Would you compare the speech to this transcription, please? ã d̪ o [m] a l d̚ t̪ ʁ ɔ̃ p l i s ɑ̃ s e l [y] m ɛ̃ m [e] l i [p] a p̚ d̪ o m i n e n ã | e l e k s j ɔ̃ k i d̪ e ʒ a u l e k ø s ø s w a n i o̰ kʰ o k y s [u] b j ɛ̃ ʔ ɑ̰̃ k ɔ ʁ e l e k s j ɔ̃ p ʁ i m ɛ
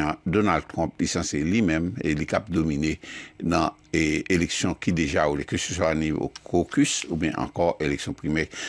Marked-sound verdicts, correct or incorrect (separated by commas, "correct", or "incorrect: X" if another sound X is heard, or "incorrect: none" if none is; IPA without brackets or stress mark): incorrect: n, incorrect: i, correct, incorrect: k, correct